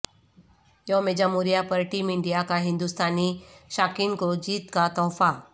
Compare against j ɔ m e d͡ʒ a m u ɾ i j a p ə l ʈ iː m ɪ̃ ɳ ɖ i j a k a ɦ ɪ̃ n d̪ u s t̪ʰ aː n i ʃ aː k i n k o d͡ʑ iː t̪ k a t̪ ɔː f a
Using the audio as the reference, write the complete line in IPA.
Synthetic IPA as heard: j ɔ m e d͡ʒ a m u ɾ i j a p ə ɾ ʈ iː m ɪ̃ ɳ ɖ i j a k a ɦ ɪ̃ n d̪ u s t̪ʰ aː n i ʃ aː k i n k o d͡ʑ iː t̪ k a t̪ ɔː f a

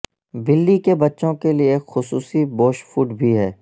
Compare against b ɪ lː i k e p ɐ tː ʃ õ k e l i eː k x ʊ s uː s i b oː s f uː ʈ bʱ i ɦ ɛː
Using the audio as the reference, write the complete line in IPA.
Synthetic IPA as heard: b ɪ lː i k e b ɐ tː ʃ õ k e l i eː k x ʊ s uː s i b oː ʃ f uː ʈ bʱ i ɦ ɛː

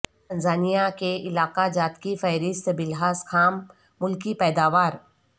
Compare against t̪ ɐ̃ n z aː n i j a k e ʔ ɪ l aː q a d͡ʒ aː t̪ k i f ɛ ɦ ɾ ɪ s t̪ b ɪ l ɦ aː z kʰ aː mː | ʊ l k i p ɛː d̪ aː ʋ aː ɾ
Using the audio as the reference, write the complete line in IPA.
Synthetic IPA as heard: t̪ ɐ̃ n z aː n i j a k e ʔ ɪ l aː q a d͡ʒ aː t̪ k i f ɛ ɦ ɾ ɪ s t̪ b ɪ l ɦ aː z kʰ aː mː | ʊ l k i p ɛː d̪ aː ʋ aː ɾ

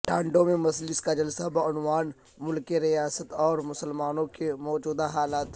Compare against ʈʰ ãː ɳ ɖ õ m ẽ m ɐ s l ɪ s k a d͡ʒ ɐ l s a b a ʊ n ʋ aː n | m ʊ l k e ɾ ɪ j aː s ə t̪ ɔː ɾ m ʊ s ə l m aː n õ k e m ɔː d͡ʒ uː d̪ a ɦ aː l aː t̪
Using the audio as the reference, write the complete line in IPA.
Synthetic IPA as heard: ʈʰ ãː ɳ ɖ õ m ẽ m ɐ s l ɪ s k a d͡ʒ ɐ l s a b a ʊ n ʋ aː n | m ʊ l k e ɾ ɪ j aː s ə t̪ ɔː ɾ m ʊ s ə l m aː n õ k e m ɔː d͡ʒ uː d̪ a ɦ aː l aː t̪

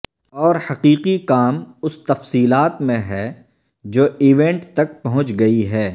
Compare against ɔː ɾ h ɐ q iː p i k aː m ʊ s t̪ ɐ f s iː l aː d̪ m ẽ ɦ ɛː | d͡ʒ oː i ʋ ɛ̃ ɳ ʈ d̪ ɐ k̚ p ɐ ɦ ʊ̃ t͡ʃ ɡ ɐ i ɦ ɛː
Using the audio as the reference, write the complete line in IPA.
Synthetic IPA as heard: ɔː ɾ h ɐ q iː q i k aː m ʊ s t̪ ɐ f s iː l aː t̪ m ẽ ɦ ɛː | d͡ʒ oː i ʋ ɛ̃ ɳ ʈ t̪ ɐ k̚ p ɐ ɦ ʊ̃ t͡ʃ ɡ ɐ i ɦ ɛː

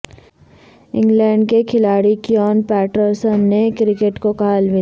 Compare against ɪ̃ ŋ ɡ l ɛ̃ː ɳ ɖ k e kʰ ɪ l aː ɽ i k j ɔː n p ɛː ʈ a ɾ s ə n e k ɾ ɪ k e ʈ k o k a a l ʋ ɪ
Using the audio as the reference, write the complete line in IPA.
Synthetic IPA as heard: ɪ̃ ŋ ɡ l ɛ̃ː ɳ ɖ k e kʰ ɪ l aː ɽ i k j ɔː n p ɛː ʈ ə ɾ s ə nː e k ɾ ɪ k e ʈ k o k a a l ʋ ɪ

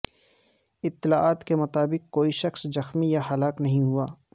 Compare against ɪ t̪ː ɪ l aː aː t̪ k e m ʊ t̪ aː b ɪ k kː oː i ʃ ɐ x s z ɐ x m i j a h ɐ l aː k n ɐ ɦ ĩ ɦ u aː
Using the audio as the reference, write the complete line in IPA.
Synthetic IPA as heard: ɪ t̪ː ɪ l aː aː t̪ k e m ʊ t̪ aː b ɪ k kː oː i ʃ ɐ x s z ɐ x m i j a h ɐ l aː k n ɐ ɦ ĩ ɦ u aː

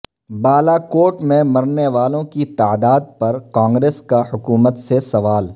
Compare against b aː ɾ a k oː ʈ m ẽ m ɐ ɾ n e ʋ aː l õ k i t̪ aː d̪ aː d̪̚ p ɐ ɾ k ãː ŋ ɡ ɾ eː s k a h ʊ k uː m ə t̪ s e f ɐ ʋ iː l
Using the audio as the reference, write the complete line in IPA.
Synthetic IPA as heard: b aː l a k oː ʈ m ẽ m ɐ ɾ n e ʋ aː l õ k i t̪ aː d̪ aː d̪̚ p ɐ ɾ k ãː ŋ ɡ ɾ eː s k a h ʊ k uː m ə t̪ s e s ɐ ʋ aː l

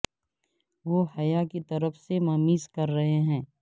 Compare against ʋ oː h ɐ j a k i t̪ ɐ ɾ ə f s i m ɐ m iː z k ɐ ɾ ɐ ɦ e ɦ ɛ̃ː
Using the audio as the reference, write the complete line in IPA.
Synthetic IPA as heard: ʋ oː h ɐ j a k i t̪ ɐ ɾ ə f s e m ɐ m iː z k ɐ ɾː ɐ ɦ e ɦ ɛ̃ː

